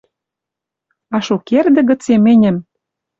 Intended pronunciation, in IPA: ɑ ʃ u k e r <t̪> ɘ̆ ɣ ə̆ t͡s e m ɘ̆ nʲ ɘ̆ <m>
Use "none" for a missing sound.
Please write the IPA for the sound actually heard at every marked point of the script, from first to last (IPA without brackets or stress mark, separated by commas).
d̪, m